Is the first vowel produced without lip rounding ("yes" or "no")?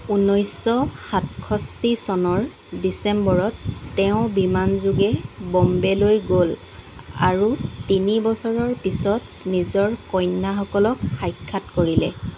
no